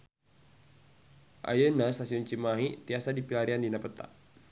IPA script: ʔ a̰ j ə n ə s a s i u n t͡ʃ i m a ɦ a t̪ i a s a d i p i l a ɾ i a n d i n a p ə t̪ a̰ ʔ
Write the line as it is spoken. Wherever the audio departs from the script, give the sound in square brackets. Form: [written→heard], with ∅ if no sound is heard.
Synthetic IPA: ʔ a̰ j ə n [ə→a] s a s i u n t͡ʃ i m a ɦ [a→i] t̪ i a s a d i p i l a ɾ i a n d i n a p ə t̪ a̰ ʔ